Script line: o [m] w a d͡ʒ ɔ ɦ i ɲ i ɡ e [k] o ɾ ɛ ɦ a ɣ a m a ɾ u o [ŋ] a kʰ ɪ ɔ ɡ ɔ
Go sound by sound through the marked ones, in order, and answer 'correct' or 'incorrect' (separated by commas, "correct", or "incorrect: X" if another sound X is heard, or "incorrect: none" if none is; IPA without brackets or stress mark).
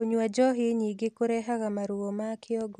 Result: incorrect: ɲ, correct, incorrect: m